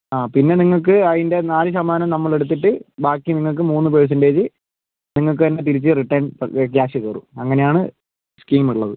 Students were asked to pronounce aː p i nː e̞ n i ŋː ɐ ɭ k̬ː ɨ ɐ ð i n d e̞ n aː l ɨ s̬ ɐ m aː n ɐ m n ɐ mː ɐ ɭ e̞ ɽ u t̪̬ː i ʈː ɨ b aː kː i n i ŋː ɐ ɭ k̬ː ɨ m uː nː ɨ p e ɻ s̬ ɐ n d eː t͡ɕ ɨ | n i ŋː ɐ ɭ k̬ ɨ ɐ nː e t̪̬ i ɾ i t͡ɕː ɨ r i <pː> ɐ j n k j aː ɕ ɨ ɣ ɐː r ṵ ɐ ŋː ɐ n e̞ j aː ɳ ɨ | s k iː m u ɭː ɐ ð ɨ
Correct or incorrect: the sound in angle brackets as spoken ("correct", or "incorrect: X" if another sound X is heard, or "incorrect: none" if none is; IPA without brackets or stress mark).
incorrect: ʈː